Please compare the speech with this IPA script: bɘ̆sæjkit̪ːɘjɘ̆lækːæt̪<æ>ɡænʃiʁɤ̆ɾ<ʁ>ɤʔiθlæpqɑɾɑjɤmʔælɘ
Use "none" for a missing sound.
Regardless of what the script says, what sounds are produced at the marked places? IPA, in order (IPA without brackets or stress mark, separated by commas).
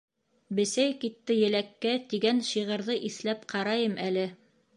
i, ð